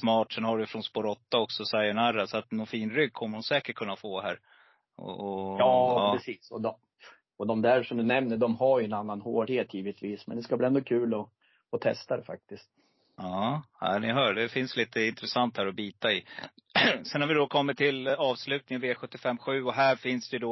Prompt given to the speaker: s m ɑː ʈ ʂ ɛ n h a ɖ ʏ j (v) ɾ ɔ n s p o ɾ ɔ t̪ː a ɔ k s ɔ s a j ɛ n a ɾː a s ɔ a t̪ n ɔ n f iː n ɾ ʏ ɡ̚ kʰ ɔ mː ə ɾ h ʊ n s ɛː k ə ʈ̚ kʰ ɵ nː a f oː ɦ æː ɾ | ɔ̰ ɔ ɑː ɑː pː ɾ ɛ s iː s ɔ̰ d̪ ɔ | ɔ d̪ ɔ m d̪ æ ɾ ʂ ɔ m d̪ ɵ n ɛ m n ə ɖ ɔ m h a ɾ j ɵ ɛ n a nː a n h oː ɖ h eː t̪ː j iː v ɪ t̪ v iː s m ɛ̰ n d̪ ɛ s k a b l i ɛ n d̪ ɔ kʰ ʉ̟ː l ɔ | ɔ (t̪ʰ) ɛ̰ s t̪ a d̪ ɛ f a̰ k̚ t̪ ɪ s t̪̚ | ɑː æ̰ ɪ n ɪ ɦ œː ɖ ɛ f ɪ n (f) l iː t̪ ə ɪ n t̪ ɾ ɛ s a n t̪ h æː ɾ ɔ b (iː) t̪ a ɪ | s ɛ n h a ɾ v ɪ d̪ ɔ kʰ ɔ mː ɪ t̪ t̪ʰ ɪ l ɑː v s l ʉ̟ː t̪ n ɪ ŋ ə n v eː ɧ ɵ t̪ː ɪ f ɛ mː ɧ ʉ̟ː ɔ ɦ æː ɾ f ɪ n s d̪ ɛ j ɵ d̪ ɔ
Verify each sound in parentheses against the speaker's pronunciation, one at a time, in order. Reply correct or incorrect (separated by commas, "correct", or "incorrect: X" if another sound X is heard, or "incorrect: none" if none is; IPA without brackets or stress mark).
incorrect: f, correct, incorrect: s, correct